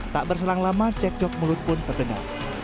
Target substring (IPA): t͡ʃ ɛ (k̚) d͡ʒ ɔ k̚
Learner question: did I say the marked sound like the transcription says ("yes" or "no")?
yes